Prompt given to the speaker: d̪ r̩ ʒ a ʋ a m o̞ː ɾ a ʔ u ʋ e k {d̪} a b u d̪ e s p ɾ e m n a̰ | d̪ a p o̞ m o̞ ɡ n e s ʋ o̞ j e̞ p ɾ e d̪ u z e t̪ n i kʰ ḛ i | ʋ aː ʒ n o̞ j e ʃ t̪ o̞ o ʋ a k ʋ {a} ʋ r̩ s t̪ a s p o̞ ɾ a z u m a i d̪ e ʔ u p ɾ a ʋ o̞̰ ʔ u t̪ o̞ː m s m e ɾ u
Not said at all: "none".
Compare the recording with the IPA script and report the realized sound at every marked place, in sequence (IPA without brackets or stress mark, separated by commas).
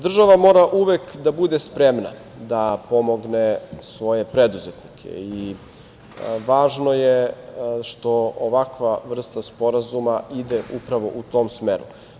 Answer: d̪, a